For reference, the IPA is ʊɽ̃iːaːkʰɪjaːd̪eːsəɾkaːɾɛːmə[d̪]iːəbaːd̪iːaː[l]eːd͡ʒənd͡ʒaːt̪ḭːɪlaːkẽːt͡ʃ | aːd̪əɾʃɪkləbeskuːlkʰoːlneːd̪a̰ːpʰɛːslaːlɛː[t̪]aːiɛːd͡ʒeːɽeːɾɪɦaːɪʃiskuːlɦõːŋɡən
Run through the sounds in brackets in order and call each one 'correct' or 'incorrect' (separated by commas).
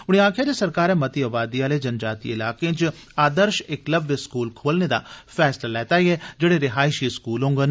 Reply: incorrect, correct, correct